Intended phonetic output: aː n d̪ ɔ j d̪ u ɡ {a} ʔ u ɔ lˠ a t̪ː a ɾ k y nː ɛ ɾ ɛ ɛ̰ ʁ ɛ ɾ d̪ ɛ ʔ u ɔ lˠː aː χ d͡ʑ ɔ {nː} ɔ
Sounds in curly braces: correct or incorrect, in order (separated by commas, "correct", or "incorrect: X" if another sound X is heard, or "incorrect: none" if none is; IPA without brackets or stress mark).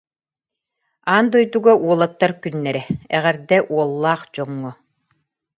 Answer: correct, incorrect: ŋː